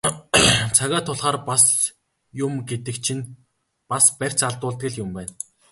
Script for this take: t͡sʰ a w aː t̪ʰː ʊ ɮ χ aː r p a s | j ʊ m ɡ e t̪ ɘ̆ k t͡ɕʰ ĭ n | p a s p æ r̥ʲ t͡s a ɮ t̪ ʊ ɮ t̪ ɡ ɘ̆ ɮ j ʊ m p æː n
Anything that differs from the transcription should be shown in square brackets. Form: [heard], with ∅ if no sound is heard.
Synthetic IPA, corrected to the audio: t͡sʰ a [ɣ] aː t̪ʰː ʊ ɮ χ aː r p a s | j ʊ m ɡ e t̪ ɘ̆ k t͡ɕʰ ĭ n | p a s p æ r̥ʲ t͡s a ɮ t̪ [ʊː] ɮ t̪ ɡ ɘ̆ ɮ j ʊ m p æː n

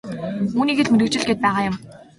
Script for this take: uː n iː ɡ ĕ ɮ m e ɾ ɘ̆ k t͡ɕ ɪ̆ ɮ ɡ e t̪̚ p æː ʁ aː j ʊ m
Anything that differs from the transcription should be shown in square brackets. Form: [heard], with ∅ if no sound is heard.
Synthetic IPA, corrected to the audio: uː n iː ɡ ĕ ɮ m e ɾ ɘ̆ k t͡ɕ ɪ̆ ɮ ɡ e t̪̚ p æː ʁ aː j ʊ m

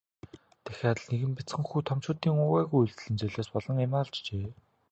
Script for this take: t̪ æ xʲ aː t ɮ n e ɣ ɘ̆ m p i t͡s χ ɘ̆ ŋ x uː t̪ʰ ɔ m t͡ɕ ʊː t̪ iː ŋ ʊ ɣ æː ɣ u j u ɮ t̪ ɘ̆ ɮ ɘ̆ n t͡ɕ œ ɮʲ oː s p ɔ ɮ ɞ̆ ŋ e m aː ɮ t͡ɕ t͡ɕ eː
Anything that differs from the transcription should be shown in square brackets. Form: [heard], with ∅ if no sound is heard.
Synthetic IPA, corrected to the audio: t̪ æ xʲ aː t ɮ n e ɣ ɘ̆ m p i t͡s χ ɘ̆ ŋ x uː t̪ʰ ɔ m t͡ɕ ʊː t̪ iː ŋ ʊ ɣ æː ɣ u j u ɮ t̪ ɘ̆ ɮ ɘ̆ n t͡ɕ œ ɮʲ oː s p ɔ ɮ ɞ̆ ŋ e m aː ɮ t͡ɕ t͡ɕ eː

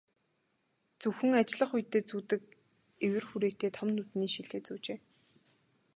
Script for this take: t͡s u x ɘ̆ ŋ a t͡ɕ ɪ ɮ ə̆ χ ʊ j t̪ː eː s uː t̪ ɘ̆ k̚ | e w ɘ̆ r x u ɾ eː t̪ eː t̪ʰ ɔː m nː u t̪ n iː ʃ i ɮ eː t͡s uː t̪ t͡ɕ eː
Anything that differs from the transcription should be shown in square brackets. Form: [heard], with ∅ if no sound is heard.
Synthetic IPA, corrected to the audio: t͡s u x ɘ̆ ŋ a t͡ɕ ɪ ɮ ə̆ χ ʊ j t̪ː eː [t͡s] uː t̪ ɘ̆ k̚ | e w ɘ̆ r x u ɾ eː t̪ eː t̪ʰ [ɔ] m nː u t̪ n iː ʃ i ɮ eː t͡s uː [∅] t͡ɕ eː

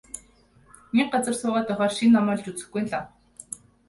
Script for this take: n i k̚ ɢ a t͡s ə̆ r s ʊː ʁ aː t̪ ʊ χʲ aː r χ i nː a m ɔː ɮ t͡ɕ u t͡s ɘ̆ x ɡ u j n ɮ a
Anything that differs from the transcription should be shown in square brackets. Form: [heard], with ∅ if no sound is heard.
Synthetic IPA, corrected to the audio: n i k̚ ɢ a t͡s ə̆ r s ʊː ʁ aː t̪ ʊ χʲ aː r [ʃ] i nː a m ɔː ɮ t͡ɕ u t͡s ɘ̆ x ɡ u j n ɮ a

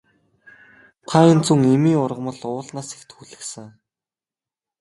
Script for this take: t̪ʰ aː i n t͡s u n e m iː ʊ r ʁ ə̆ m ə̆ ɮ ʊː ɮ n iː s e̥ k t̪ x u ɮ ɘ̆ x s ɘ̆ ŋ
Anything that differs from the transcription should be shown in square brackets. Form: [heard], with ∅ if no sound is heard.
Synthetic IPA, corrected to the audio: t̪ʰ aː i n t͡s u [ŋ] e m iː ʊ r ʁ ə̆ m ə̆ ɮ ʊː ɮ n [aː] s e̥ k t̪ x u ɮ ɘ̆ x s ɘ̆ ŋ

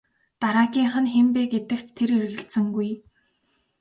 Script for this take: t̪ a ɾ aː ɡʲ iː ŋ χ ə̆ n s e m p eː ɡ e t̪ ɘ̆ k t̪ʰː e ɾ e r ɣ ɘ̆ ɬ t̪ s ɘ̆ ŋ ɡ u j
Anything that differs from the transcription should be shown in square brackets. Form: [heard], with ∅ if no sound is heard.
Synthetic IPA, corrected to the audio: t̪ a ɾ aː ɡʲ iː ŋ χ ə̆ n [x] e m p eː ɡ e t̪ ɘ̆ k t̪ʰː e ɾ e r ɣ ɘ̆ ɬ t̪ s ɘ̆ ŋ ɡ u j

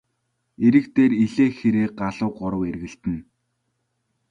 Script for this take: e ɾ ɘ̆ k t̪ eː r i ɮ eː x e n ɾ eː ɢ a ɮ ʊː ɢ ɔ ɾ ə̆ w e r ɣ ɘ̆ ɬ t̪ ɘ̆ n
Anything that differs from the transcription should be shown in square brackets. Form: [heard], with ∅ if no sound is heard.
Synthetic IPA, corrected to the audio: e ɾ ɘ̆ k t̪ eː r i ɮ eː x e [∅] ɾ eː ɢ a ɮ ʊː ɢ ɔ ɾ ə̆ w e r ɣ ɘ̆ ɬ t̪ ɘ̆ n

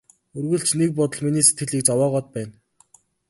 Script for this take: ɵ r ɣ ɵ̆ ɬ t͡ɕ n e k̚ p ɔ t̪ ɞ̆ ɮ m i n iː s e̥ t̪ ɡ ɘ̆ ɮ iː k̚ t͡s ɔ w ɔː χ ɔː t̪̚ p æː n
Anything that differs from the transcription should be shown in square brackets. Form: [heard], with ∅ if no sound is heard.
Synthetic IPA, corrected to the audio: ɵ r ɣ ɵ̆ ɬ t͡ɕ n e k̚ p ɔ t̪ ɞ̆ ɮ m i n iː s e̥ t̪ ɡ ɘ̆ ɮ iː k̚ t͡s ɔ w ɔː [ʁ] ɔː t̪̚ p æː n

